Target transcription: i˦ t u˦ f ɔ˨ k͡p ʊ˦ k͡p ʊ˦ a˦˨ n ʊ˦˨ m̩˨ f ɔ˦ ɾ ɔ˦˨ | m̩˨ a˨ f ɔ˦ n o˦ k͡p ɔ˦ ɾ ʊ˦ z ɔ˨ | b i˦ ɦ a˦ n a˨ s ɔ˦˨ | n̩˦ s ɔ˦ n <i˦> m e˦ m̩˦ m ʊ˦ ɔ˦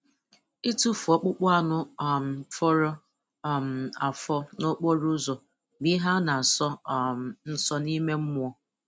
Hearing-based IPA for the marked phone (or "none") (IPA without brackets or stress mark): i˦